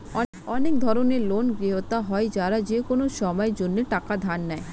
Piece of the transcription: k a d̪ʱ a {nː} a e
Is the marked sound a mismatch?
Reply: no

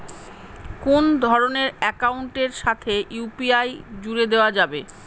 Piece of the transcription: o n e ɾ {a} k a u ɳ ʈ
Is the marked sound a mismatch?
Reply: yes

